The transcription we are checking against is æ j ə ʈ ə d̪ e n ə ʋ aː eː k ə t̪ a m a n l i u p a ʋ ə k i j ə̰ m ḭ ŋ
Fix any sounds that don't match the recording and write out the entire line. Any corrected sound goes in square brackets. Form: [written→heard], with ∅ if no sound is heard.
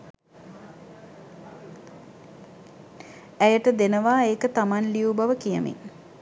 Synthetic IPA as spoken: æ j ə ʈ ə d̪ e n ə ʋ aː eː k ə t̪ a m a n l i u [p→b] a ʋ ə k i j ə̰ m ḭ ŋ

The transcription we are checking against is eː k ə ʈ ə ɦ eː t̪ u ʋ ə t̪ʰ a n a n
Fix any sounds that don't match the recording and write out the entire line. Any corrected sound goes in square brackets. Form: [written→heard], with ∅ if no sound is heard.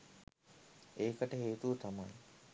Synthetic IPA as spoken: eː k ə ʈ ə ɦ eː t̪ u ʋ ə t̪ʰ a [n→m] a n

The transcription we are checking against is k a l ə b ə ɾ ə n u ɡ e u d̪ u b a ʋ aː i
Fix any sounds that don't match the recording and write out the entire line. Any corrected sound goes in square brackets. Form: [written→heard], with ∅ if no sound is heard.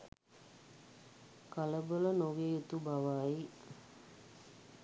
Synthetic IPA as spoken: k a l ə b ə [ɾ→l] ə n [u→o] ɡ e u [d̪→t̪] u b a ʋ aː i

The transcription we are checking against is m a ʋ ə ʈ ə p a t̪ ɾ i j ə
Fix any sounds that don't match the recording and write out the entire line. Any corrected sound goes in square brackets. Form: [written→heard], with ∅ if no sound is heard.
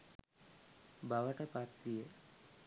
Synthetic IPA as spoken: [m→b] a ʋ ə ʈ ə p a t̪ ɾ i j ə

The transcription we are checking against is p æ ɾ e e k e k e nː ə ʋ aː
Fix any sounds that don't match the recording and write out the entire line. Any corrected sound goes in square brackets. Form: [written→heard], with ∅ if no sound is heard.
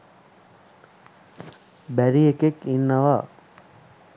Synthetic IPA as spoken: [p→b] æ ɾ [e→i] e k e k [e→i] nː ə ʋ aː

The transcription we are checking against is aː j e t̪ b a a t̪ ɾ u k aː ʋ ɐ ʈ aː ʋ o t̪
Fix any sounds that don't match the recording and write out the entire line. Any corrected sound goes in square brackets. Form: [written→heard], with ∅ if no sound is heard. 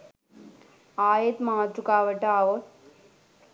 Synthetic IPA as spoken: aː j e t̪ [b→m] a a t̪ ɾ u k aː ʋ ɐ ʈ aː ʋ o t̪

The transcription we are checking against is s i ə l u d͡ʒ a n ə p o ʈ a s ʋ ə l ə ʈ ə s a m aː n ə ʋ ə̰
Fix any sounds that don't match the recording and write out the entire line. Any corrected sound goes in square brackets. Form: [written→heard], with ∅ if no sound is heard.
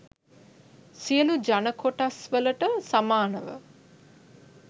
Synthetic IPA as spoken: s i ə l u d͡ʒ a n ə [p→k] o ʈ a s ʋ ə l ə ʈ ə s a m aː n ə ʋ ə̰

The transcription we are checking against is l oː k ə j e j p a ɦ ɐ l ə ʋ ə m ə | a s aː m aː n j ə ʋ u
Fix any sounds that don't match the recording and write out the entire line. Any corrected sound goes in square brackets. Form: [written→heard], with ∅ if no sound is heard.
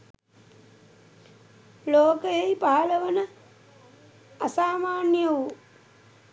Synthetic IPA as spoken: l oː k ə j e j p a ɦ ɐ l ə ʋ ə [m→n] ə | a s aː m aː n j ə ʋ u

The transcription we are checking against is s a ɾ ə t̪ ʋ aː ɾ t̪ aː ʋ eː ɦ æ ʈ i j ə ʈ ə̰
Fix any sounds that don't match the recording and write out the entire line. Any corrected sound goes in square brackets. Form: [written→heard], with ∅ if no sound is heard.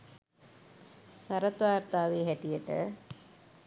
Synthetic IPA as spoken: s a ɾ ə t̪ ʋ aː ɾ t̪ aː ʋ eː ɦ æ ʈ i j ə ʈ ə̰

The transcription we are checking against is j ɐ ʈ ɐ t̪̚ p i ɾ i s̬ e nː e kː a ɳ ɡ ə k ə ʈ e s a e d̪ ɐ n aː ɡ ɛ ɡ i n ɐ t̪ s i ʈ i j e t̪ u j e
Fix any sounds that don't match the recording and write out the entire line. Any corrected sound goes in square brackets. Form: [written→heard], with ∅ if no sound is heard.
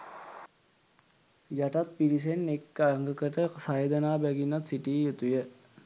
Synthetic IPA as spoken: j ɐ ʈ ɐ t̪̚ p i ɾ i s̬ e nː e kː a [ɳ→ŋ] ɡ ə k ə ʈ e s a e d̪ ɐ n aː [ɡ→b] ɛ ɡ i n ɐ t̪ s i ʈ i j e t̪ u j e

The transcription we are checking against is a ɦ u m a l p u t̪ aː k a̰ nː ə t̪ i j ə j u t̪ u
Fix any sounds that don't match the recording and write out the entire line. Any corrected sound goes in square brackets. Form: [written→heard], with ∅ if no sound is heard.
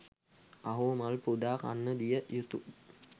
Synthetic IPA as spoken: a ɦ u m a l p u [t̪→d̪] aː k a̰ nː ə [t̪→d̪] i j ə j u t̪ u

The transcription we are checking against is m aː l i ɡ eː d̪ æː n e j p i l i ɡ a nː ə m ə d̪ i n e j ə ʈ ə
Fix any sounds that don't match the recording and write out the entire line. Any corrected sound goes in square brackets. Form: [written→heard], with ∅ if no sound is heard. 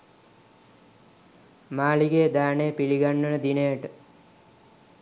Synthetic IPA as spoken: m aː l i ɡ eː d̪ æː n e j p i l i ɡ a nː ə [m→n] ə d̪ i n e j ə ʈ ə

